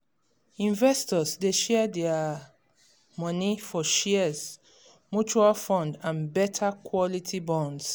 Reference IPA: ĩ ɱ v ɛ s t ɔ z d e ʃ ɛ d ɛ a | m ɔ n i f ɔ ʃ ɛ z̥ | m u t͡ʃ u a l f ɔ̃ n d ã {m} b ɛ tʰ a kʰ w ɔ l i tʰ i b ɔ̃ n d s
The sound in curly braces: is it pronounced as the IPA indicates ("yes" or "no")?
no